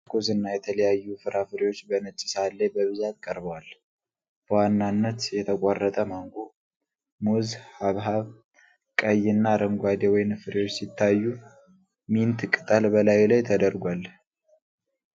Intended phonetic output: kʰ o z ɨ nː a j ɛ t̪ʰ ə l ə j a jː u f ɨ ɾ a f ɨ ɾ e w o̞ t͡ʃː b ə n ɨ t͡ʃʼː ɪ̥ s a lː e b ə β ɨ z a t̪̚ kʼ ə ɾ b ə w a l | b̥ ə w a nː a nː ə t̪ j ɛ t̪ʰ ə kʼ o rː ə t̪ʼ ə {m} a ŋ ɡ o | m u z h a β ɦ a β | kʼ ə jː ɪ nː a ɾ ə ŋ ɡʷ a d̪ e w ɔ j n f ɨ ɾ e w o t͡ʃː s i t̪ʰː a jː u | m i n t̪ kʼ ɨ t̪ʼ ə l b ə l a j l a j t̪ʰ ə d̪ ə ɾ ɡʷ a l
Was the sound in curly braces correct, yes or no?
yes